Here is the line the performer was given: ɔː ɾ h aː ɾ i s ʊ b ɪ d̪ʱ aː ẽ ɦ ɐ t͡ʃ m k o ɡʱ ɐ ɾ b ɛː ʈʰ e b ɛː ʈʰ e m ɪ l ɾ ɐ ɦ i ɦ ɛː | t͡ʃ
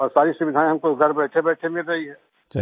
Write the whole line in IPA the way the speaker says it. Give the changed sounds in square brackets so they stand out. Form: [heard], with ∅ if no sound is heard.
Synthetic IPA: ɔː ɾ [s] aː ɾ i s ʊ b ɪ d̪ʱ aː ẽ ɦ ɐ [∅] m k o ɡʱ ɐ ɾ b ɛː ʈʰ e b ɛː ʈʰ e m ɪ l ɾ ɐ ɦ i ɦ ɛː | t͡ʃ